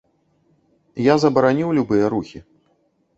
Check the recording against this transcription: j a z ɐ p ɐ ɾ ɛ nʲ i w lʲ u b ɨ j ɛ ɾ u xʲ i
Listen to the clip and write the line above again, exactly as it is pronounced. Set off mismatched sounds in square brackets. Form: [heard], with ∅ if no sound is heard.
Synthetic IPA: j a z ɐ [b] ɐ ɾ [a] nʲ i w lʲ u b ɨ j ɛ ɾ u xʲ i